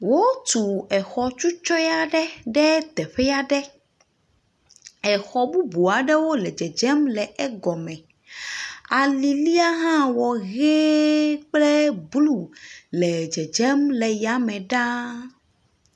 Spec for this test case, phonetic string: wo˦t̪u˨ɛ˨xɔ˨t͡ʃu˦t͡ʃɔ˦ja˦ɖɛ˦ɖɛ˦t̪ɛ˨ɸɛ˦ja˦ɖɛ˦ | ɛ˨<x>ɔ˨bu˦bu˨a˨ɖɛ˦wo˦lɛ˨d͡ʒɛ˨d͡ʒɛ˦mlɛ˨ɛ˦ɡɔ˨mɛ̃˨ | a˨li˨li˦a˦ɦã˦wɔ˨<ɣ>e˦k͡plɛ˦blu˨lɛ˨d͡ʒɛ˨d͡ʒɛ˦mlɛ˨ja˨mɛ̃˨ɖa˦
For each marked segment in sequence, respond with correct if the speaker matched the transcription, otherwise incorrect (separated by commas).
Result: correct, correct